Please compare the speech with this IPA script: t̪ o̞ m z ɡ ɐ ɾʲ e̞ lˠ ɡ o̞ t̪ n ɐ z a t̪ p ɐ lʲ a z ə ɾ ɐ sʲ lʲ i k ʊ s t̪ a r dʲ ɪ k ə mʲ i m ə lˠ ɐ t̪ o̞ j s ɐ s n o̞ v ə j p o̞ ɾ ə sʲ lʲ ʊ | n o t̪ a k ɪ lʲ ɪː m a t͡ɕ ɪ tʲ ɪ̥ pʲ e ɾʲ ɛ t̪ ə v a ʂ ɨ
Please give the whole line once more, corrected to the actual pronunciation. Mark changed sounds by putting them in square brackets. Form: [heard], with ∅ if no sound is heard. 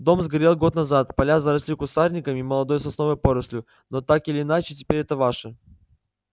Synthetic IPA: [d̪] o̞ m z ɡ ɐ ɾʲ e̞ lˠ ɡ o̞ t̪ n ɐ z a t̪ p ɐ lʲ a z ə ɾ ɐ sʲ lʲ i k ʊ s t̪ a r [nʲ] ɪ k ə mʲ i m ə lˠ ɐ [d̪] o̞ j s ɐ s n o̞ v ə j p o̞ ɾ ə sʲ lʲ ʊ | n o t̪ a k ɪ lʲ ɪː [n] a t͡ɕ ɪ tʲ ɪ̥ pʲ e ɾʲ ɛ t̪ ə v a ʂ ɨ